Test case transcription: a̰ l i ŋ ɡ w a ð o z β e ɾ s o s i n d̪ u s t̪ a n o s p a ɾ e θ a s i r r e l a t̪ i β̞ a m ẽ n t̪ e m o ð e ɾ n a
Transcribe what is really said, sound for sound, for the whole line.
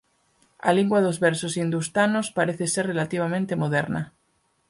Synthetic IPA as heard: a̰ l i ŋ ɡ w a ð o z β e ɾ s o s i n d̪ u s t̪ a n o s p a ɾ e θ e s e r r e l a t̪ i β̞ a m ẽ n t̪ e m o ð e ɾ n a